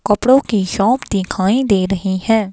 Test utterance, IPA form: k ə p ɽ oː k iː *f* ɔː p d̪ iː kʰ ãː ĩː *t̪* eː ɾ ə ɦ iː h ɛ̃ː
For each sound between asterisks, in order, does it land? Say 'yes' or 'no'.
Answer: no, no

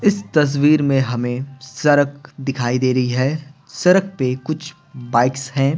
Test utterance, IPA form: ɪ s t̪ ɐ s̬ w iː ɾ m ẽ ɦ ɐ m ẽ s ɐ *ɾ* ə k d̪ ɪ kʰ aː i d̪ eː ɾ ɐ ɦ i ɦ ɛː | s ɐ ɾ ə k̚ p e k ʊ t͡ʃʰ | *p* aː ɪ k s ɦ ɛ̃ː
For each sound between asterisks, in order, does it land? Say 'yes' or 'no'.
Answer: yes, no

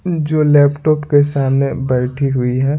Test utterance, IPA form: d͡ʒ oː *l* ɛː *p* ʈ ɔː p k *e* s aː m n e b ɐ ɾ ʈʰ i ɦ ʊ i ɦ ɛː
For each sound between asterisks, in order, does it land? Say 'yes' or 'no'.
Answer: yes, yes, yes

